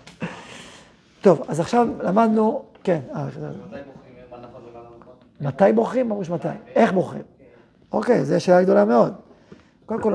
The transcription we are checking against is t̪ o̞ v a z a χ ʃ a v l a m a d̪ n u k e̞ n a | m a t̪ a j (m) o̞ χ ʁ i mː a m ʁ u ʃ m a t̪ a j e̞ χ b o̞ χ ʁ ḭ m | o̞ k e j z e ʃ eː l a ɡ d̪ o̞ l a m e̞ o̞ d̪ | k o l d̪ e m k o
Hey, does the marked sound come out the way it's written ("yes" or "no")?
no